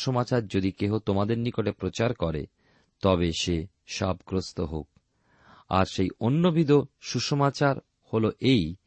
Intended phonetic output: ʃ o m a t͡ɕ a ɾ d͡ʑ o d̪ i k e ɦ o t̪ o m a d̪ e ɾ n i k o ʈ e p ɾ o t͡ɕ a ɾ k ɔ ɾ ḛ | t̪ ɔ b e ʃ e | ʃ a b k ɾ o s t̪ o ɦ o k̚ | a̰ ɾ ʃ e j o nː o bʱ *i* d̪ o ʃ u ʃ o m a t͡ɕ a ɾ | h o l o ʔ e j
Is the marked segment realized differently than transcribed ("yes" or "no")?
no